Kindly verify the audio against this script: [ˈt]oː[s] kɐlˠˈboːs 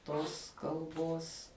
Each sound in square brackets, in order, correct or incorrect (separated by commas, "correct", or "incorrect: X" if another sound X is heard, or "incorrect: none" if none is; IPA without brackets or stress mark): correct, correct